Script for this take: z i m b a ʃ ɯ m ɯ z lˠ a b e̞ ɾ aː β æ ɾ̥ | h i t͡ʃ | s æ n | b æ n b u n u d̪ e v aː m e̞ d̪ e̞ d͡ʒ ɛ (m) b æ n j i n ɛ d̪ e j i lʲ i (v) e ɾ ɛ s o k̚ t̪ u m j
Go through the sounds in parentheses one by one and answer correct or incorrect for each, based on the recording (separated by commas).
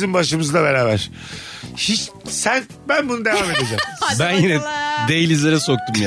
correct, incorrect